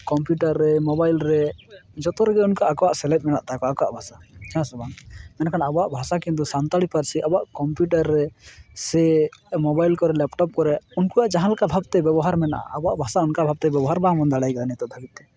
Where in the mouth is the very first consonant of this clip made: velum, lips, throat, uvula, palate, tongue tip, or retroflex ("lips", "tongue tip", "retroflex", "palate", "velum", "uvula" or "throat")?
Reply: velum